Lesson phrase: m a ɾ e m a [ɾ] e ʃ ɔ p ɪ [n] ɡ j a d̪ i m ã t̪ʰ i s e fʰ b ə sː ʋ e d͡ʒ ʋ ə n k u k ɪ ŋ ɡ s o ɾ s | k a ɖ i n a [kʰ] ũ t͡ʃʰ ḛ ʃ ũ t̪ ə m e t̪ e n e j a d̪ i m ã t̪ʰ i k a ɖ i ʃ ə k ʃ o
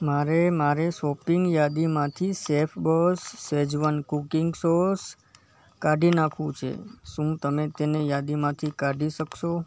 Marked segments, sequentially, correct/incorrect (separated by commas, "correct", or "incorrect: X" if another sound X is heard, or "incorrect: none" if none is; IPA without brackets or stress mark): correct, incorrect: ŋ, correct